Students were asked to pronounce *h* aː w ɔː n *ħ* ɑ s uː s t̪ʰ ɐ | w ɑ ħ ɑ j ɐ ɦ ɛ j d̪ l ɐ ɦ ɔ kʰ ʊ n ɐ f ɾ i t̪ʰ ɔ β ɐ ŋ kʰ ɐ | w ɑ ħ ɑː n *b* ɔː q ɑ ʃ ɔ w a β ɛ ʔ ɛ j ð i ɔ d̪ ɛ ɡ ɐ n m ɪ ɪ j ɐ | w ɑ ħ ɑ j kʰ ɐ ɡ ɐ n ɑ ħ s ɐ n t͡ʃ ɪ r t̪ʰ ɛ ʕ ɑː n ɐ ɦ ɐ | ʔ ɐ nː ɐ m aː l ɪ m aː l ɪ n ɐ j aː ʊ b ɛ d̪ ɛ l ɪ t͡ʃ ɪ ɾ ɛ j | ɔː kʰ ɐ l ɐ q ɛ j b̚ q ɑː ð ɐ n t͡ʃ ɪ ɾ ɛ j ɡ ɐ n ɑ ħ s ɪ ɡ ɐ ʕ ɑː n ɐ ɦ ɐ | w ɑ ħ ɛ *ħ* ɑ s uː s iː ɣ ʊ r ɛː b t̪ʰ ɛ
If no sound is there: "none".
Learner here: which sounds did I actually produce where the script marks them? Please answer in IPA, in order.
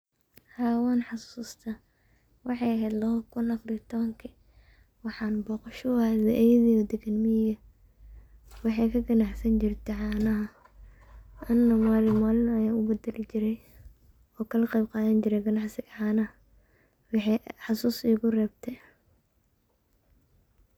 h, ħ, b, ħ

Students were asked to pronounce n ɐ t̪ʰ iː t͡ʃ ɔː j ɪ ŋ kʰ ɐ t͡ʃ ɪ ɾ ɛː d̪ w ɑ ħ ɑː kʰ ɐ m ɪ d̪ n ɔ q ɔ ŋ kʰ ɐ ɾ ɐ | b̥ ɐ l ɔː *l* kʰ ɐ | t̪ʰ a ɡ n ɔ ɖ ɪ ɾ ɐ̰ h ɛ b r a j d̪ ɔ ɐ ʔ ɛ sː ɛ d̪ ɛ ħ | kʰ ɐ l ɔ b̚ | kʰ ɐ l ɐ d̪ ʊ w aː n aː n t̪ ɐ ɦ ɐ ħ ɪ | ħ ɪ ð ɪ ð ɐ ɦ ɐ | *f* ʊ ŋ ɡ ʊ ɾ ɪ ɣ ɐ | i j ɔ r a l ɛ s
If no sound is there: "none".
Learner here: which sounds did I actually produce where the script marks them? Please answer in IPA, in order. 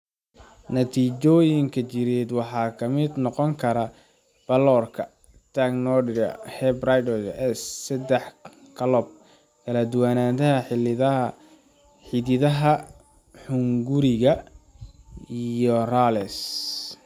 r, ħ

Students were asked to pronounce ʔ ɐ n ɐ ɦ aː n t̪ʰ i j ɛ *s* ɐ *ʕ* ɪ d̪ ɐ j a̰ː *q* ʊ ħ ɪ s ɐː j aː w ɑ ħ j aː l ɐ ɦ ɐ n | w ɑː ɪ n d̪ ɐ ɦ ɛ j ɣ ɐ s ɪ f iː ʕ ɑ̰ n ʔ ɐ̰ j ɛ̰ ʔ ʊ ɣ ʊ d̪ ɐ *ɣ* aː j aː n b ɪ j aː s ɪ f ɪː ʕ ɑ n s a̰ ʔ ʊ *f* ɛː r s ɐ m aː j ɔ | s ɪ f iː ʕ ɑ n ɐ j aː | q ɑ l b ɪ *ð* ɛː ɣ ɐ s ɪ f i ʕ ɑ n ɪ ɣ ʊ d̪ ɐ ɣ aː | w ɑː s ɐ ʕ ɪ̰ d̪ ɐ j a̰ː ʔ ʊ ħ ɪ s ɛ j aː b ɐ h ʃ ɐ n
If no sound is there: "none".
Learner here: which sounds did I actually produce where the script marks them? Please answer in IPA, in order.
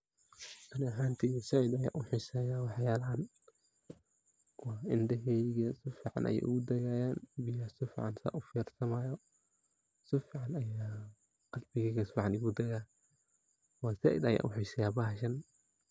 s, ʕ, ʔ, ɣ, f, ɣ

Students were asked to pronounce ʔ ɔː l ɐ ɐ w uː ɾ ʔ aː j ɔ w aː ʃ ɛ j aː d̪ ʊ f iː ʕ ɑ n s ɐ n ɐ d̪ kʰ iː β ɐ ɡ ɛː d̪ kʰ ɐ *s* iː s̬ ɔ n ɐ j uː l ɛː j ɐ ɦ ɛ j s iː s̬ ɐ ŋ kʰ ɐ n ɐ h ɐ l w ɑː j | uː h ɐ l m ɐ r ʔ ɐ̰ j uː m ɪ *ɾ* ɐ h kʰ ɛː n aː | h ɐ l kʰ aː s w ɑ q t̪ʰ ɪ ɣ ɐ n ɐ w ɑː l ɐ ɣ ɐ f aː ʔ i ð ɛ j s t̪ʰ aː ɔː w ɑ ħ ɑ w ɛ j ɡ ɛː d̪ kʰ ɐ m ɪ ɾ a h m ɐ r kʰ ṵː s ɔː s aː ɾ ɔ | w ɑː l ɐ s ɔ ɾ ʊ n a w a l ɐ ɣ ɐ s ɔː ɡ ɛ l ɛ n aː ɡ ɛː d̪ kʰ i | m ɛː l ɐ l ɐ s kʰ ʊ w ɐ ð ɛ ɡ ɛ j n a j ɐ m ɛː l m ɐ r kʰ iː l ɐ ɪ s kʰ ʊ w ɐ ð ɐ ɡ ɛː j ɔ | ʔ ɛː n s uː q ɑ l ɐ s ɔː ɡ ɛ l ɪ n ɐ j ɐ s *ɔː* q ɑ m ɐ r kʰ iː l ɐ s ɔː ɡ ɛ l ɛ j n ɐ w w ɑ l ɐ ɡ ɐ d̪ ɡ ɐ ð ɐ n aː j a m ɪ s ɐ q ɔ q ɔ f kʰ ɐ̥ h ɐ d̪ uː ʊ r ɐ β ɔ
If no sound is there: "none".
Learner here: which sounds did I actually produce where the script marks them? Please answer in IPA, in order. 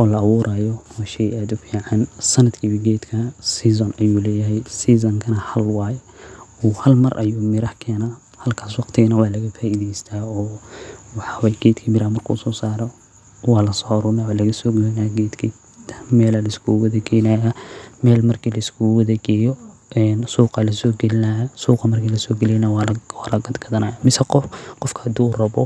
s, ɾ, uː

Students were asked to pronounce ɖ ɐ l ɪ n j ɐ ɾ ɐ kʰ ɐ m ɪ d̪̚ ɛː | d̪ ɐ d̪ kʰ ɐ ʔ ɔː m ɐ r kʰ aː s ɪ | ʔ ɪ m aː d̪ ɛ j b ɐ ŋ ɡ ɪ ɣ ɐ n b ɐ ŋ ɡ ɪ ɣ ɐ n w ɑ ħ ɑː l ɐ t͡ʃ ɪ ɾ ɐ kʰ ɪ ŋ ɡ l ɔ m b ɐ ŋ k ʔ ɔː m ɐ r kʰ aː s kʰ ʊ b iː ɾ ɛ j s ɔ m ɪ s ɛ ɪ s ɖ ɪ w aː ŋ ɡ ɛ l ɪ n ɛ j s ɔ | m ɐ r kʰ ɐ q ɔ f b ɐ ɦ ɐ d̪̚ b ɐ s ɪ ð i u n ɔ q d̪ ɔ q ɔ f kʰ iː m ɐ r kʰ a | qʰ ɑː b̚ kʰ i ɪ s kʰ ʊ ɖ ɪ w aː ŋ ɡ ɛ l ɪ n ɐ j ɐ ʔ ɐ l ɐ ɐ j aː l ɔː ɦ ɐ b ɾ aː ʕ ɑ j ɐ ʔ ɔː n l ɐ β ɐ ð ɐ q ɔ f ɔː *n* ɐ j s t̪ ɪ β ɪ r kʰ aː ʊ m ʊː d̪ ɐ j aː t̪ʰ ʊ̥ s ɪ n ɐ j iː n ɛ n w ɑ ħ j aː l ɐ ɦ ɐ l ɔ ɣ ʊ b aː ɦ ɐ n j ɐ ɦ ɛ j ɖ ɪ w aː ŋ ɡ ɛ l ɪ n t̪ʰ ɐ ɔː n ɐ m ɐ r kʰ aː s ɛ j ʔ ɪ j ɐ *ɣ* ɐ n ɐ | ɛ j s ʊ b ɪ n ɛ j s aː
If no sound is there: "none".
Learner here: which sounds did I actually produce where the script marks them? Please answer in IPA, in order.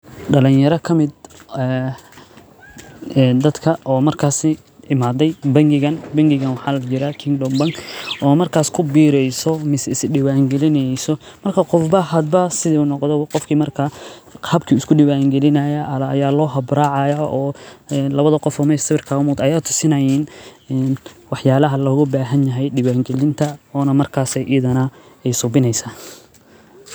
m, ð

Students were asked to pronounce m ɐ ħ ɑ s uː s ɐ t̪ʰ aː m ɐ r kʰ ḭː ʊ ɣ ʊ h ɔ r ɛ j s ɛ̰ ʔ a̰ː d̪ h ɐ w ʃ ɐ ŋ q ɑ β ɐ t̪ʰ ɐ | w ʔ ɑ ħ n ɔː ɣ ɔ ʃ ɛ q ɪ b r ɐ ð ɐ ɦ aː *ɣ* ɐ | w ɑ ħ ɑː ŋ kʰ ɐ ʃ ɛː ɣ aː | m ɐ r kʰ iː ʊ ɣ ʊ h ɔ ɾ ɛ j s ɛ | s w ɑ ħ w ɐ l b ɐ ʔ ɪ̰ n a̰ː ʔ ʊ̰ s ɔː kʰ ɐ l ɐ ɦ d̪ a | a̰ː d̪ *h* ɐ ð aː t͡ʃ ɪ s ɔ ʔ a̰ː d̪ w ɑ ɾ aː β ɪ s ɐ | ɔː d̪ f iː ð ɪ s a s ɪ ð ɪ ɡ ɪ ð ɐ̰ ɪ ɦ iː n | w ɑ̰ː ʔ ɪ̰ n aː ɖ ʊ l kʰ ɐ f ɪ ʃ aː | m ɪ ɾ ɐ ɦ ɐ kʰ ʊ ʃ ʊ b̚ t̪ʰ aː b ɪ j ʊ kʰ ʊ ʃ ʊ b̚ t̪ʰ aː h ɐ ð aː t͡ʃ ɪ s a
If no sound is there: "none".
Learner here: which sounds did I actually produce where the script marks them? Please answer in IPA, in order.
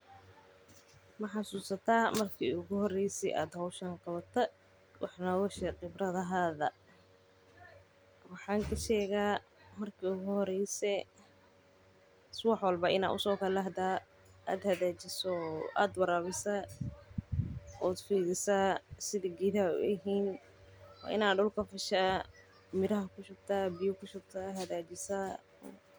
ð, h

